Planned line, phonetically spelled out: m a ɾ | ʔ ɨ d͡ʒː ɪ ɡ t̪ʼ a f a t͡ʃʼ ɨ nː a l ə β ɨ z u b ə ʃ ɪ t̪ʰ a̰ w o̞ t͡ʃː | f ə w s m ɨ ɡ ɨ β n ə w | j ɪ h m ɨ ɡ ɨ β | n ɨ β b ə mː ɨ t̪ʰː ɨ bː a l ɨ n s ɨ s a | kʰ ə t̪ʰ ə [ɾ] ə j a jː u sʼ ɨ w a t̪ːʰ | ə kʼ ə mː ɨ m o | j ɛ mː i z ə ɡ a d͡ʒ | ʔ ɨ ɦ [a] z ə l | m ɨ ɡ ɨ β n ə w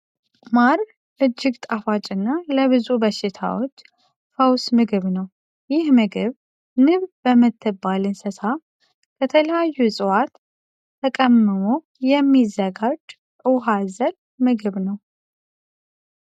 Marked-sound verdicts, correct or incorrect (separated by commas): incorrect, correct